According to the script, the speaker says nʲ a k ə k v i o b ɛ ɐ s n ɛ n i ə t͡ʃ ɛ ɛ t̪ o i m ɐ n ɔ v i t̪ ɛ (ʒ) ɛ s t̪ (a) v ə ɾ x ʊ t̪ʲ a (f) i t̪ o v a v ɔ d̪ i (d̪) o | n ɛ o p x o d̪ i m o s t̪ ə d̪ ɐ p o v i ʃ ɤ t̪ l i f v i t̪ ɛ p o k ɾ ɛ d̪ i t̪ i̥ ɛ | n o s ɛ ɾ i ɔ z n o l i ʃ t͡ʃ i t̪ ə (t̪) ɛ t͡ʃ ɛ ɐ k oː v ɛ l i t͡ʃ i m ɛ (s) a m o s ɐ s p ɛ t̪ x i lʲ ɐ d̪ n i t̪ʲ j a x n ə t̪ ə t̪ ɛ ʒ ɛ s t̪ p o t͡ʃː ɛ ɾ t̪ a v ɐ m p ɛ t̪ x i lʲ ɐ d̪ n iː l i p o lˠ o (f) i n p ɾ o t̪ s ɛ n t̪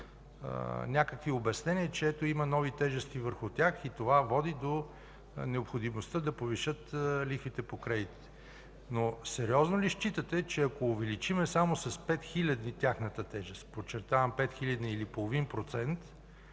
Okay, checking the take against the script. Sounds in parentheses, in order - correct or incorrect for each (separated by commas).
correct, incorrect, incorrect, correct, correct, correct, incorrect